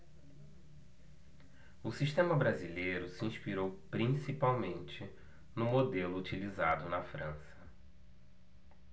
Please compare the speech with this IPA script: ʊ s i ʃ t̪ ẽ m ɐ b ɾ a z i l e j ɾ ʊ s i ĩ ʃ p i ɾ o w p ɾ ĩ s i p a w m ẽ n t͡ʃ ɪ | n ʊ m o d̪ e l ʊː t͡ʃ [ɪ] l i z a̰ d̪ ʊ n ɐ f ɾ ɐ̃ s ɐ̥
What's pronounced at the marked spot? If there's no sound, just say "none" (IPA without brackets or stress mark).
i